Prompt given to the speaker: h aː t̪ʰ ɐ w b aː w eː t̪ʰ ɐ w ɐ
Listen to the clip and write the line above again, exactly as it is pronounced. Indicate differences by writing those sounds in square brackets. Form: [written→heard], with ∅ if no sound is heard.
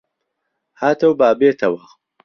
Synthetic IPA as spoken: h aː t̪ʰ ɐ w b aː [w→b] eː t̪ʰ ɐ w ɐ